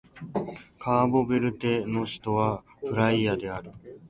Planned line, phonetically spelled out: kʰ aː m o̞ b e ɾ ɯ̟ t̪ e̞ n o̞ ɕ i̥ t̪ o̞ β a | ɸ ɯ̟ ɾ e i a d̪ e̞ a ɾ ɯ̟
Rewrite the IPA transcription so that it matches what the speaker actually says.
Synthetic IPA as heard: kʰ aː b o̞ b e ɾ ɯ̟ t̪ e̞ n o̞ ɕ i̥ t̪ o̞ β a | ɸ ɯ̟ ɾ a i a d̪ e̞ a ɾ ɯ̟